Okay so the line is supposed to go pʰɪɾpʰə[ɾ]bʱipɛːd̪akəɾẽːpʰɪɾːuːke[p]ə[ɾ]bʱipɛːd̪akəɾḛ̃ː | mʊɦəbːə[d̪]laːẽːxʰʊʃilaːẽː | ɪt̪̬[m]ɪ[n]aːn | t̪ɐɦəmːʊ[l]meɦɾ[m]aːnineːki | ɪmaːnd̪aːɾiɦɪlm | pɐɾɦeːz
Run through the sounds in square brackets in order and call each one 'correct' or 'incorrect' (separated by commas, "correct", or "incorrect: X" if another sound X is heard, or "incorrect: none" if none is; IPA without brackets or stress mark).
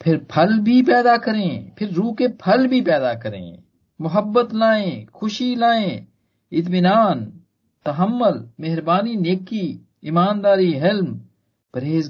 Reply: incorrect: l, incorrect: pʰ, incorrect: l, incorrect: t̪, correct, correct, correct, incorrect: b